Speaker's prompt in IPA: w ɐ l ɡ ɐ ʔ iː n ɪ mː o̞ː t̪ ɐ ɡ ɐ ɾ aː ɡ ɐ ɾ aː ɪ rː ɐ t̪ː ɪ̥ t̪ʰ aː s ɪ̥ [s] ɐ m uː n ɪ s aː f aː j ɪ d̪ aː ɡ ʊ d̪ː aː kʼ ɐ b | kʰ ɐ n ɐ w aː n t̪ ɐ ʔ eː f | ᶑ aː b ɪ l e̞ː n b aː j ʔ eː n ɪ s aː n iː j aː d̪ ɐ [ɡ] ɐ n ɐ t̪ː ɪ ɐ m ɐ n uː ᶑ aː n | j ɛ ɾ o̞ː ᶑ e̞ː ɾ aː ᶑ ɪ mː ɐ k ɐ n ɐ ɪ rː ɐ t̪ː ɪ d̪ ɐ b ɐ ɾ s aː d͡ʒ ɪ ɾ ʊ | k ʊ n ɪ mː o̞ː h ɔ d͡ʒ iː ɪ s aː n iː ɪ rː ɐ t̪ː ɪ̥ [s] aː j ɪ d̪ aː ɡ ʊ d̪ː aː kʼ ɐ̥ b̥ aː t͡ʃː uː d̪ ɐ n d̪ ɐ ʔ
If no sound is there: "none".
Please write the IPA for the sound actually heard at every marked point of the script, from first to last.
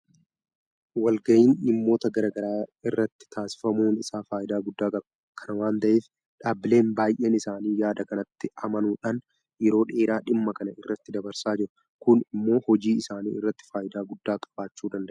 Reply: f, k, f

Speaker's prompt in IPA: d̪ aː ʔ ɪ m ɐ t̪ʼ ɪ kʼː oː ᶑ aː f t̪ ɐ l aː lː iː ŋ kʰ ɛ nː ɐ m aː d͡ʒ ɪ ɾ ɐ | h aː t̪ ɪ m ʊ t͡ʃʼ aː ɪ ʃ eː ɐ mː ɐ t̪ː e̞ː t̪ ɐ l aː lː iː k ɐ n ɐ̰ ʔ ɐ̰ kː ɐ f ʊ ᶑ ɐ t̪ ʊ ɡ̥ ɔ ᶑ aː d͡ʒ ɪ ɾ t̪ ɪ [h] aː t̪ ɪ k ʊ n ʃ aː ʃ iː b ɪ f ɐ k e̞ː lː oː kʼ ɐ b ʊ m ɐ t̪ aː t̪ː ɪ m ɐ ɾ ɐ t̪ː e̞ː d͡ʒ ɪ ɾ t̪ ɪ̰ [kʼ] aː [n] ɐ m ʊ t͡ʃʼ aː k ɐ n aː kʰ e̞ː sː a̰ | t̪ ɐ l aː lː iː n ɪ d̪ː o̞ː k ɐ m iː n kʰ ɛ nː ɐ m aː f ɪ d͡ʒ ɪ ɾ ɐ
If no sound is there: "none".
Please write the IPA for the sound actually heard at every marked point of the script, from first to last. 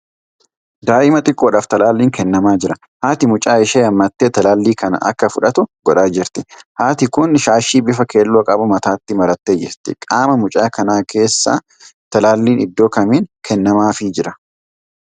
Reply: h, kʼ, m

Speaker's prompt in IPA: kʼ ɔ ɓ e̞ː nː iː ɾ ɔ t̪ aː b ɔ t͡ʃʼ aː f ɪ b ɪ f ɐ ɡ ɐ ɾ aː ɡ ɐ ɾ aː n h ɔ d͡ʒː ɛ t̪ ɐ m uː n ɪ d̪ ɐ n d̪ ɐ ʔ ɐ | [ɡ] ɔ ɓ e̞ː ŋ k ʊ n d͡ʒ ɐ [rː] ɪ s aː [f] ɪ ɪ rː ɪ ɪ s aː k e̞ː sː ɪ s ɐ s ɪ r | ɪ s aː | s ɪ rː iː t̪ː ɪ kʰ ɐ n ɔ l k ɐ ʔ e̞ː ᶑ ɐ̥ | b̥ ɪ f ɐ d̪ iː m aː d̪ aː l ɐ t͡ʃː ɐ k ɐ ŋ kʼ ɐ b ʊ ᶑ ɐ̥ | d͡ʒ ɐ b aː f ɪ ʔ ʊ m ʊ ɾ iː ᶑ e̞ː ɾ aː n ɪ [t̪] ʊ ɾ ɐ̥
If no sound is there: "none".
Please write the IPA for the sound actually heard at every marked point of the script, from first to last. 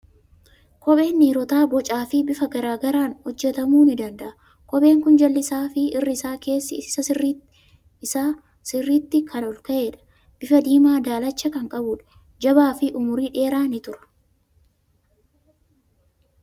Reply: k, lː, f, t̪

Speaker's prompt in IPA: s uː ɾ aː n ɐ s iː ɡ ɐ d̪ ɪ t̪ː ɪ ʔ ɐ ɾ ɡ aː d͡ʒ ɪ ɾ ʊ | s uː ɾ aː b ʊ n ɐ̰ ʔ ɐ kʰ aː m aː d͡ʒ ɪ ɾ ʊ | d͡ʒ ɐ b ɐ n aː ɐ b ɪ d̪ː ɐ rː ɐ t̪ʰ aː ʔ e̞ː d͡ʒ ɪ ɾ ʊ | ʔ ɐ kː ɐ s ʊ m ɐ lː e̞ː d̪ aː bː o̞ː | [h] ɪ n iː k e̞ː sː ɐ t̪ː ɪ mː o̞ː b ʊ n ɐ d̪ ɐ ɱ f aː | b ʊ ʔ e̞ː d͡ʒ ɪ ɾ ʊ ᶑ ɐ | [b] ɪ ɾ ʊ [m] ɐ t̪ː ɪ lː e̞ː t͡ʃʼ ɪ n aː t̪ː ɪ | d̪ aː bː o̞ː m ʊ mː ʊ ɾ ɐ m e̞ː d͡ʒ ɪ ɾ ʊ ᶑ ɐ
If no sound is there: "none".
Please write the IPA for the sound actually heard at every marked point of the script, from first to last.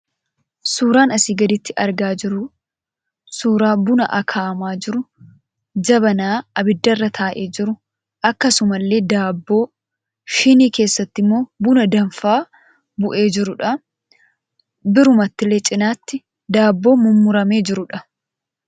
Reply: ʃ, b, m

